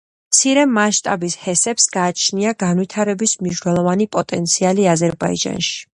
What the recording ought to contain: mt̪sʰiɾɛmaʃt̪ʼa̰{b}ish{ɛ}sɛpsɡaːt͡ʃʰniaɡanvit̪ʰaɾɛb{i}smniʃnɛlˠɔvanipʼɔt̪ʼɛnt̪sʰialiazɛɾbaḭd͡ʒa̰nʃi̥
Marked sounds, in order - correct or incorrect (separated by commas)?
correct, correct, correct